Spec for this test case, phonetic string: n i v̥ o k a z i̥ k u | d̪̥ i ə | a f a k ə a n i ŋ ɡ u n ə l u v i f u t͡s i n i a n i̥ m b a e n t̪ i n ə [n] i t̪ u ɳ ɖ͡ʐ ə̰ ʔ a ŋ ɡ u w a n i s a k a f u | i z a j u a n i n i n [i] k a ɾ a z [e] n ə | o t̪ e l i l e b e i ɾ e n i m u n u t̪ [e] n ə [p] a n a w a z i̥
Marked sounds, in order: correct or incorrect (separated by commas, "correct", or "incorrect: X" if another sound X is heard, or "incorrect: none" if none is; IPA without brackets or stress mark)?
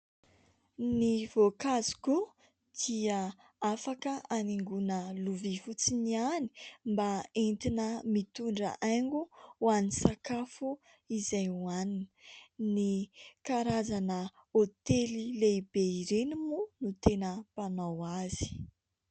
incorrect: m, correct, incorrect: a, correct, correct